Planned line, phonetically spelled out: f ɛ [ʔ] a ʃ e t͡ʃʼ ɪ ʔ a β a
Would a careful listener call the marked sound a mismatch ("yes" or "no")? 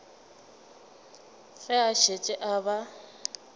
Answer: yes